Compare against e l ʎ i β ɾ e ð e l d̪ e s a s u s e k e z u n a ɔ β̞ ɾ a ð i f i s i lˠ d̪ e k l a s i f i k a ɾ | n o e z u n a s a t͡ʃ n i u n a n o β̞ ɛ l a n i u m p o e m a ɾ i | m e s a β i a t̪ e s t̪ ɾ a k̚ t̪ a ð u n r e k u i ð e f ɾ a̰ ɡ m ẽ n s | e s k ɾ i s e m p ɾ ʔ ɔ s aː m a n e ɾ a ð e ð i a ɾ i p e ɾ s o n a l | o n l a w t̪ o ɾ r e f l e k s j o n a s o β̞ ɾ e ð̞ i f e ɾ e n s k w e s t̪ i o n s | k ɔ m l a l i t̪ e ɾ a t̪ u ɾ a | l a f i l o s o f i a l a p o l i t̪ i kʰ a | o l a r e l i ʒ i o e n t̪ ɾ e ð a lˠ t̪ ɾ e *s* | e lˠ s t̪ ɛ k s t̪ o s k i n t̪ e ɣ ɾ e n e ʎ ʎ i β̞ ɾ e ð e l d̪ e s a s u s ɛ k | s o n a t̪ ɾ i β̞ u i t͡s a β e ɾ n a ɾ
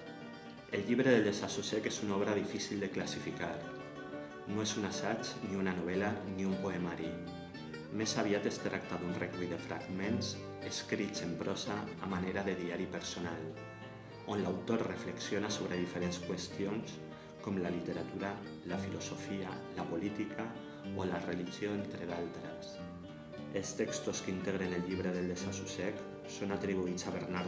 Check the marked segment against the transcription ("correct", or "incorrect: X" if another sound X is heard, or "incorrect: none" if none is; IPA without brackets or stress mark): correct